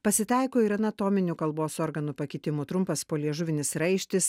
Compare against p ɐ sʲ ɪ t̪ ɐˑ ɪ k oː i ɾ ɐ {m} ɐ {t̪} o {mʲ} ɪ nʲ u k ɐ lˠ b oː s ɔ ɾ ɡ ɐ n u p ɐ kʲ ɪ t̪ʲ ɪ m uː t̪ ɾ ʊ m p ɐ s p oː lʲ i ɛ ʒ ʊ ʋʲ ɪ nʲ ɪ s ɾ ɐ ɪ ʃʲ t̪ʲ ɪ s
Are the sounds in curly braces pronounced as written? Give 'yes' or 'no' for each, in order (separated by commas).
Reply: no, yes, yes